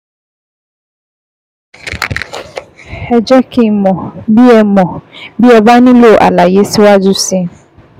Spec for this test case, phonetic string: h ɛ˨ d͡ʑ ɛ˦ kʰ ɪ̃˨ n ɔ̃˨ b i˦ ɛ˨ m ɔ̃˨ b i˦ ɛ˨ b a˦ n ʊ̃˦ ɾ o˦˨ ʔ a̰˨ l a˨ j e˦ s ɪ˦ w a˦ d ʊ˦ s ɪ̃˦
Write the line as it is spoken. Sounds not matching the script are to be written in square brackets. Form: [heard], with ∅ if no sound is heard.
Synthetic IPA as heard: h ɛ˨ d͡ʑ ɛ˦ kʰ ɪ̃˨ [m] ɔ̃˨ b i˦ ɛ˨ m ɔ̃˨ b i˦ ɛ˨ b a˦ n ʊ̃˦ [l] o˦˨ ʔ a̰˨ l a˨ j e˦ s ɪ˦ w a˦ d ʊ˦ s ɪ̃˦